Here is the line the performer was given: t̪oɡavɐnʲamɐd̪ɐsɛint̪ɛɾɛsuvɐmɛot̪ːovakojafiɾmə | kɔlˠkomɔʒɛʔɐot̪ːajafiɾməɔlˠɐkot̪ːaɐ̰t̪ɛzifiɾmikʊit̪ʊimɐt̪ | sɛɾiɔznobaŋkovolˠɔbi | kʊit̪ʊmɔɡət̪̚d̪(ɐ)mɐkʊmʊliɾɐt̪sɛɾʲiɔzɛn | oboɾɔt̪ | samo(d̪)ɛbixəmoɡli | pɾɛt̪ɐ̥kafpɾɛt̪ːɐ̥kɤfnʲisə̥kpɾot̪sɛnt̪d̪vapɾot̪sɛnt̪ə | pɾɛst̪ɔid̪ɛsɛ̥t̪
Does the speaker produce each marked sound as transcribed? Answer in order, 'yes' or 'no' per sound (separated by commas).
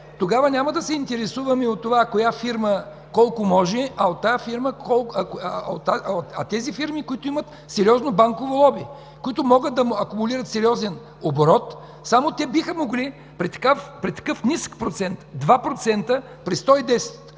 yes, no